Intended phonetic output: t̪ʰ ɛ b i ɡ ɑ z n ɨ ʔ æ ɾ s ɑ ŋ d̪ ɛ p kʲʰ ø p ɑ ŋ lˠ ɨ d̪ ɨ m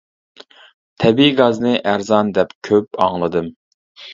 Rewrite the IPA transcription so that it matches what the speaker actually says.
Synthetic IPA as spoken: t̪ʰ ɛ b i ɡ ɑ z n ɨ ʔ æ ɾ z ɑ n d̪ ɛ p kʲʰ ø p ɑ ŋ lˠ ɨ d̪ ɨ m